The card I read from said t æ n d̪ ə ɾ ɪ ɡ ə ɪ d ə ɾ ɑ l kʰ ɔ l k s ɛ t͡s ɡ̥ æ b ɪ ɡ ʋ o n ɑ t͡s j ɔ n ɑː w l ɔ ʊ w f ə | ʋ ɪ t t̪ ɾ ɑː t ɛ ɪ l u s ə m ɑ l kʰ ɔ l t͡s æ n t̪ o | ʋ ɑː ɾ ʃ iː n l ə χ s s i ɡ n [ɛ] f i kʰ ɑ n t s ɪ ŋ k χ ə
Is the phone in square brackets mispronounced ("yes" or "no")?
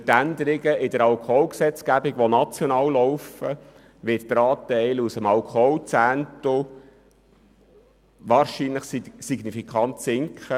yes